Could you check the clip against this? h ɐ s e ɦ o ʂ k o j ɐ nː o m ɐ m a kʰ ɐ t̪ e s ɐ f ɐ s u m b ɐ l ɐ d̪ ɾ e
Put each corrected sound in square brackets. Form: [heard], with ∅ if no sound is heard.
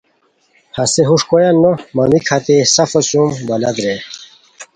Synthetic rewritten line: h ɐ s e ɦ [u] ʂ k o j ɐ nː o m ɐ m [i] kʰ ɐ t̪ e s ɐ f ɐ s u m b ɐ l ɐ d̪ ɾ e

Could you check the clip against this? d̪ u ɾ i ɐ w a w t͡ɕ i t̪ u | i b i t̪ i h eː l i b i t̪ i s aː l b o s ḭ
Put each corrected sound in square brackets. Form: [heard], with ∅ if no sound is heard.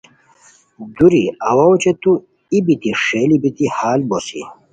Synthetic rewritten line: d̪ u ɾ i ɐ w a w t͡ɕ [e] t̪ u | i b i t̪ i [ʂ] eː l i b i t̪ i [h] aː l b o s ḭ

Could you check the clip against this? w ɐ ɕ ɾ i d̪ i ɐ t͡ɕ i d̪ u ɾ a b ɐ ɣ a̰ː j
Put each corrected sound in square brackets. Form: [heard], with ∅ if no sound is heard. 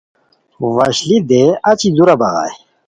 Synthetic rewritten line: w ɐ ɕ [l] i d̪ [e] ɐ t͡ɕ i d̪ u ɾ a b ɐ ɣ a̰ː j

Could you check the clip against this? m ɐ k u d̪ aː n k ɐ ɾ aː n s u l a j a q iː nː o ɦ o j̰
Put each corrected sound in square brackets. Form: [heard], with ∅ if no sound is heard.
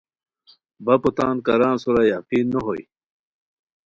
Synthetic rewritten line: [b] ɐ [p] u [t̪] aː n k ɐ ɾ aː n s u [ɾ] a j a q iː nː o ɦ o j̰

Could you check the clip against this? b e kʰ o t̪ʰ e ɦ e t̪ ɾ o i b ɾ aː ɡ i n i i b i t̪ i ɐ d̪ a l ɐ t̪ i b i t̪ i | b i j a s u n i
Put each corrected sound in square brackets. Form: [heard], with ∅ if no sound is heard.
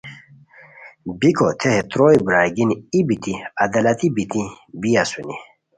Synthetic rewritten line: b [i] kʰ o t̪ʰ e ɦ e t̪ ɾ o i b ɾ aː ɡ i n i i b i t̪ i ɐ d̪ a l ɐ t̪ i b i t̪ i | b i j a s u n i

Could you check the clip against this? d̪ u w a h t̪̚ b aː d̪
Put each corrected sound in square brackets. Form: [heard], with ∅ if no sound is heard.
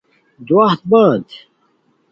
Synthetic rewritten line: d̪ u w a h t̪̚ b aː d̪

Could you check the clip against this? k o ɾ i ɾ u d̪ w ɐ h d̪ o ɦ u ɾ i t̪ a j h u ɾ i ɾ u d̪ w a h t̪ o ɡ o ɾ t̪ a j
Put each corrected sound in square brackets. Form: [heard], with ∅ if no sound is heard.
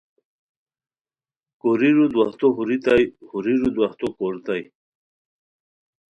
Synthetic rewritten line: k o ɾ i ɾ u d̪ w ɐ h [t̪] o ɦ u ɾ i t̪ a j h u ɾ i ɾ u d̪ w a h t̪ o [k] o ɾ t̪ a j

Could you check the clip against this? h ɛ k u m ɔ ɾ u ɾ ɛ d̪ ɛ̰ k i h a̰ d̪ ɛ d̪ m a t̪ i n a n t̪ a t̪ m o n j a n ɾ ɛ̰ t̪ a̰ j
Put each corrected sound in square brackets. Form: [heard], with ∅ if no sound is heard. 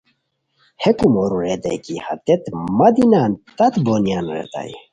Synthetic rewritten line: h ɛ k u m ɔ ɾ u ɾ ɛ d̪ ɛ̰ k i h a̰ [t̪] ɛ [t̪] m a [d̪] i n a n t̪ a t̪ [b] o n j a n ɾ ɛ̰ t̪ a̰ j

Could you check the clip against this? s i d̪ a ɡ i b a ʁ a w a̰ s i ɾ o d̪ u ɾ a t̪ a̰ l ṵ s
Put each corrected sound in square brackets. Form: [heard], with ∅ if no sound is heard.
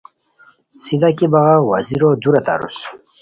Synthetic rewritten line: s i d̪ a [k] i b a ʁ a w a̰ [z] i ɾ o d̪ u ɾ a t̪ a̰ [ɾ] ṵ s

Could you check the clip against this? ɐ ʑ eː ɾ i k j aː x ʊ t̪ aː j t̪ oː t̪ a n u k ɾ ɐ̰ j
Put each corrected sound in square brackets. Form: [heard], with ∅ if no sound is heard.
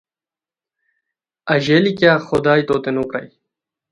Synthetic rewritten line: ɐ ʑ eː [l] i k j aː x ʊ [d̪] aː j t̪ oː t̪ [e] n u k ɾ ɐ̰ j

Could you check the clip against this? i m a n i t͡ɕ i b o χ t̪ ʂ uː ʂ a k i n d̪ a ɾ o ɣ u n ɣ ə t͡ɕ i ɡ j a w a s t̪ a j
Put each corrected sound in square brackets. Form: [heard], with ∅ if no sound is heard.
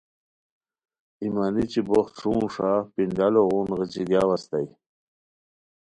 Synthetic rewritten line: i m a n i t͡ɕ i b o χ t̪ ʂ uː ʂ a [p] i n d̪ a [l] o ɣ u n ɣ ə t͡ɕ i ɡ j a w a s t̪ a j

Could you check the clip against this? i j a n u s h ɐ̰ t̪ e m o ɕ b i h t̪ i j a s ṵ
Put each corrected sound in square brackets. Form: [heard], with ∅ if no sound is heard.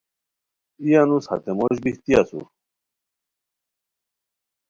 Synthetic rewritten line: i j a n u s h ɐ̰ t̪ e m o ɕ b i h t̪ i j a s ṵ

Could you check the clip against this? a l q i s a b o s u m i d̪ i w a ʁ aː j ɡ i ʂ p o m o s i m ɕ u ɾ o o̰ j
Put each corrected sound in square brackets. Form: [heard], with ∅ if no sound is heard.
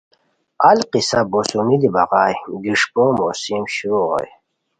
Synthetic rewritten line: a l q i s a b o s u m i d̪ i [b] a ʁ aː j ɡ i ʂ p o m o s i m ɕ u ɾ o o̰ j

